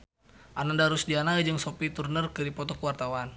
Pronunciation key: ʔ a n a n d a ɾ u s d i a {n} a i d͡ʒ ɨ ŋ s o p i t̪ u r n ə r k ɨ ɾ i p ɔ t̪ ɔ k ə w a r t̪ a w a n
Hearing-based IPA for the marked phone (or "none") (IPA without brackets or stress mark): n